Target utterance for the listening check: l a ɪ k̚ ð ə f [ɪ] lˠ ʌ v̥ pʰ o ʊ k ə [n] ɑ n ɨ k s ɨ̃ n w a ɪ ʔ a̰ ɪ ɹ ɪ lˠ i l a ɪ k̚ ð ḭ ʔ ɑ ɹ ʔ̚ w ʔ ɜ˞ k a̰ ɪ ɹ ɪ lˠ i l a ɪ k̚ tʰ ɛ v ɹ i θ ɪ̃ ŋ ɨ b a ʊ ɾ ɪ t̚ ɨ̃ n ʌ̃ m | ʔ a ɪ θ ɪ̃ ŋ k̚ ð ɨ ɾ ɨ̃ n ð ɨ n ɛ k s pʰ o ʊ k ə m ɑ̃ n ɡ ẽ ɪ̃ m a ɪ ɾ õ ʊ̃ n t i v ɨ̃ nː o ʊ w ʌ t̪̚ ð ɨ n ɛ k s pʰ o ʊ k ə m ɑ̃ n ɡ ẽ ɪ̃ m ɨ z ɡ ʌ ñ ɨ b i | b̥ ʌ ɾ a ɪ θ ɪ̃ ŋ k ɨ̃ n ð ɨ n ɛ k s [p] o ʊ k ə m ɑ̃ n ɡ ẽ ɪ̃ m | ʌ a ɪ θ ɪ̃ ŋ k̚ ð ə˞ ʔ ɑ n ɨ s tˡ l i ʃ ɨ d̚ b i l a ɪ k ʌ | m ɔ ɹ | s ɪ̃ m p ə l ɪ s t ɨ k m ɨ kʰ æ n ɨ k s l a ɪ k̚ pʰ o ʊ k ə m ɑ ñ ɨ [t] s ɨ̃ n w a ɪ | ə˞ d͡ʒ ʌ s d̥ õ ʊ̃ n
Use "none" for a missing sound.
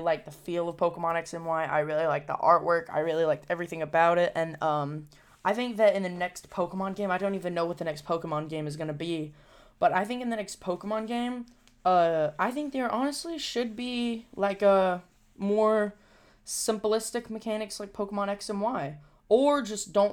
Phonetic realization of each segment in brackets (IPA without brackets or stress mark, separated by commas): i, m, pʰ, k